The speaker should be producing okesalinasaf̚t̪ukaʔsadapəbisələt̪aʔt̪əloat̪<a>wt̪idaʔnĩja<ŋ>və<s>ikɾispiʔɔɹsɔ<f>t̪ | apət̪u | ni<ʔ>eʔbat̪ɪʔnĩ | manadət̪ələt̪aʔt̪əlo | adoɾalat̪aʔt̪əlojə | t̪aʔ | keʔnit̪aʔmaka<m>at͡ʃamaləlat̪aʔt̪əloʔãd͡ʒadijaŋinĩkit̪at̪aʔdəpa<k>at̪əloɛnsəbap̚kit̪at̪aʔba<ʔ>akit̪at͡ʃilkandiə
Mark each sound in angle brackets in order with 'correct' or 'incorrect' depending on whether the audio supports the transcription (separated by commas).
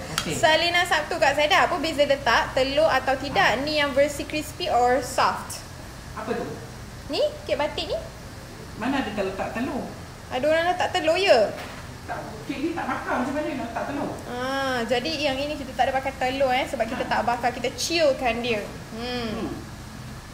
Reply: correct, correct, correct, correct, incorrect, correct, correct, incorrect